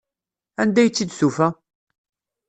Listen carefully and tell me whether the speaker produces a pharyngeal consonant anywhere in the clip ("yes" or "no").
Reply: no